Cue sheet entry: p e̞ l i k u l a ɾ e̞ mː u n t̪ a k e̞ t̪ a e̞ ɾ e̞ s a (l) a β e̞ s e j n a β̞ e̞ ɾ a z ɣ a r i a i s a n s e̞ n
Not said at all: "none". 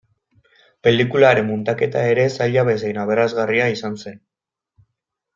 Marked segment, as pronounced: ʎ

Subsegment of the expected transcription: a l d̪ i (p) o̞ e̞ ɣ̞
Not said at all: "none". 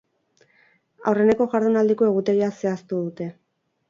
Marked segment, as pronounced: k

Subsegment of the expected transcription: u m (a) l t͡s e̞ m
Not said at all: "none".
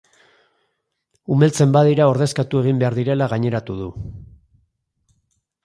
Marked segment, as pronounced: e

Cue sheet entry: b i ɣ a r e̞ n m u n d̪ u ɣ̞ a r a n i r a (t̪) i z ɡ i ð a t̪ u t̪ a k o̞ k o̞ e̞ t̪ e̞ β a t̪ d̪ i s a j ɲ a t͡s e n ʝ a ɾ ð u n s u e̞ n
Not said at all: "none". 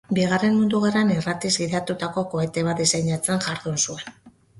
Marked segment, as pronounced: t̪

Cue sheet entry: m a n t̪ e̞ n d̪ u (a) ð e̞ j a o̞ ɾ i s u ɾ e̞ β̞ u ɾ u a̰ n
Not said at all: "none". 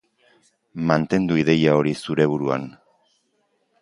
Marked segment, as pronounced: i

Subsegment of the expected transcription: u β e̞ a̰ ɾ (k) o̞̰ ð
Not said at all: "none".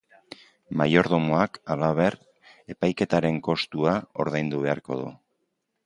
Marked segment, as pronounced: k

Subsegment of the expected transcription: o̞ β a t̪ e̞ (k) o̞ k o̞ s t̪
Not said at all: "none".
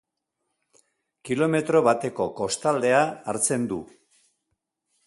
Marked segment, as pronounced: k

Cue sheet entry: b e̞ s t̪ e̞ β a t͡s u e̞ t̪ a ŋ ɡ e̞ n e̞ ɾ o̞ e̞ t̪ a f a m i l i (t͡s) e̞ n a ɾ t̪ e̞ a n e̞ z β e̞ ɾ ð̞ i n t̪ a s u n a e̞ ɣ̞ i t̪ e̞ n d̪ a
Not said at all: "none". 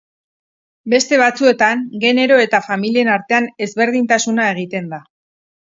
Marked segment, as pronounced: none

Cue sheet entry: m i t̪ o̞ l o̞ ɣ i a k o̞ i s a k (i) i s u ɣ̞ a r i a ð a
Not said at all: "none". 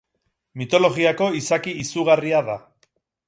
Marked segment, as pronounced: i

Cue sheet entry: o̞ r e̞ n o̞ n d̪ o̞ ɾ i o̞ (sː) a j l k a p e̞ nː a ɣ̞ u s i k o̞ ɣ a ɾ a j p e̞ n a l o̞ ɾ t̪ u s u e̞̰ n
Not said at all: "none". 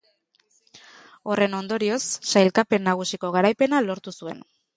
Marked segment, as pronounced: sː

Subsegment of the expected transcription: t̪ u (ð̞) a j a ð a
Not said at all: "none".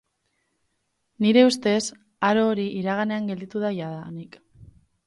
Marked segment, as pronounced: ð̞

